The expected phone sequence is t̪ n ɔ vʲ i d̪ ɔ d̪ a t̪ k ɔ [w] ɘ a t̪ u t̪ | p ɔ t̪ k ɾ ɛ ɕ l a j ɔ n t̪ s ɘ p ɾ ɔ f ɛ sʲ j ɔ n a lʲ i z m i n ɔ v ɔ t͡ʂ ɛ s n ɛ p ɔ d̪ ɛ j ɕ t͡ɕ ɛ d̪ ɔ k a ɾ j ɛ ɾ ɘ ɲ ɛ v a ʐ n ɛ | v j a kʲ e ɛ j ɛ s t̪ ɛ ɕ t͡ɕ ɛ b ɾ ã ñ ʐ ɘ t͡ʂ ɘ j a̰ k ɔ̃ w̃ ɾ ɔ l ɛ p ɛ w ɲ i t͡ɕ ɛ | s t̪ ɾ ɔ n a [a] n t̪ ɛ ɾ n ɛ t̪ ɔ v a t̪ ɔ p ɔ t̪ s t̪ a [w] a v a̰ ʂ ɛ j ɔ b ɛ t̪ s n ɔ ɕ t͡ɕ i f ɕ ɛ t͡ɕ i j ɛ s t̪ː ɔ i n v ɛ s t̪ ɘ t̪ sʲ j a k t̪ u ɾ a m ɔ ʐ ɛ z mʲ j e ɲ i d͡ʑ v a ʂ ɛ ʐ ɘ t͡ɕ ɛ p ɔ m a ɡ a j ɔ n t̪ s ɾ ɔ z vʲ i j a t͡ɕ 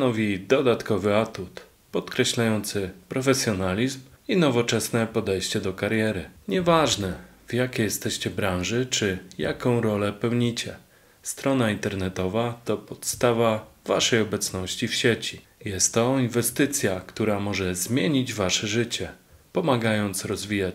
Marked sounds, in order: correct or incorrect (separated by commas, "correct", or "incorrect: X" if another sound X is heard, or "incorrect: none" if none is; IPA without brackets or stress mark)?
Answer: incorrect: v, incorrect: i, incorrect: v